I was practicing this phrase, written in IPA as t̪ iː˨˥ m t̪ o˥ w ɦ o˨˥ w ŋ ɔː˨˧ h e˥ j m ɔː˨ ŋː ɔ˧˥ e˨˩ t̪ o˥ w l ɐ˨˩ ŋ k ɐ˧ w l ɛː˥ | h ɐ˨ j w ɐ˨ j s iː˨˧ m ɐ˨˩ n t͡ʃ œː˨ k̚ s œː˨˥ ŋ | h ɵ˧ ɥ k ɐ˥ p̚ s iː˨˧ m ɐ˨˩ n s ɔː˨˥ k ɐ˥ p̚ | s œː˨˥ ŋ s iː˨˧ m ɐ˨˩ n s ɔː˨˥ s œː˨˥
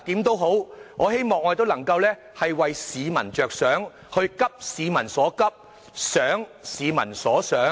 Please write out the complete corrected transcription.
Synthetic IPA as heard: t̪ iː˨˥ m t̪ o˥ w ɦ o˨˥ w ŋ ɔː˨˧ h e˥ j m ɔː˨ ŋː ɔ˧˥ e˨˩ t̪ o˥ w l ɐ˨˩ ŋ k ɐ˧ w l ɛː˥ | h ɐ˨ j w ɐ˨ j s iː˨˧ m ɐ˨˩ n t͡ʃ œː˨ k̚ s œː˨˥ ŋ | h ɵ˧ ɥ k ɐ˥ p̚ s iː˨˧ m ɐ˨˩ n s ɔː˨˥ k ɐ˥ p̚ | s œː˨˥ ŋ s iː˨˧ m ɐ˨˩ n s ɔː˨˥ s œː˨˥